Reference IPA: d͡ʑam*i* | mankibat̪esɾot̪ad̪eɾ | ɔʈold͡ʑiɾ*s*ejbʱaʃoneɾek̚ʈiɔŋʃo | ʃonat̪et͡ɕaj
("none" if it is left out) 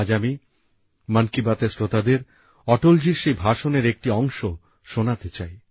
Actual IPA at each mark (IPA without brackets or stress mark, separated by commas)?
i, ʃ